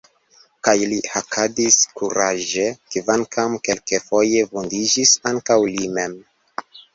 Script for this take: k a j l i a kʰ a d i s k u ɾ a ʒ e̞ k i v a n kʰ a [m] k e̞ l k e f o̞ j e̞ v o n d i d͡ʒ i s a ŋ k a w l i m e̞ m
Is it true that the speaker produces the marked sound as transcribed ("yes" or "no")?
yes